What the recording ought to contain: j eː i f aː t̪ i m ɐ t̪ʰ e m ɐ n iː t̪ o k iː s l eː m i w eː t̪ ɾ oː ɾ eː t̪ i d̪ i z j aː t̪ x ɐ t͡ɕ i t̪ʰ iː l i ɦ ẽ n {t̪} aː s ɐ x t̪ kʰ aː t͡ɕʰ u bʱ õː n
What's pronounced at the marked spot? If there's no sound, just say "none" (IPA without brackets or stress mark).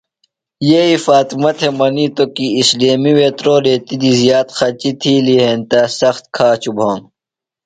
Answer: t̪